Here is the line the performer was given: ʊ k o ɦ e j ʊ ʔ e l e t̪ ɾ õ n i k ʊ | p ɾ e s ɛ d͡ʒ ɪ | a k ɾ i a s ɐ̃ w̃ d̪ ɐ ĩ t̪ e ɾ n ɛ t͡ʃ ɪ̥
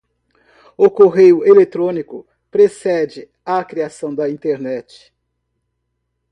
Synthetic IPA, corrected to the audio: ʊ k o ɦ e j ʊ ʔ e l e t̪ ɾ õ n i k ʊ | p ɾ e s ɛ d͡ʒ ɪ | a k ɾ i a s ɐ̃ w̃ d̪ ɐ ĩ t̪ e ɾ n ɛ t͡ʃ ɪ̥